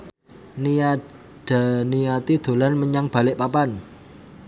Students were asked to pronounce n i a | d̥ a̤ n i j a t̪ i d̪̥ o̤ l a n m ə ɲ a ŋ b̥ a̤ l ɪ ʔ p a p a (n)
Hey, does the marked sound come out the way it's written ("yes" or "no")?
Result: yes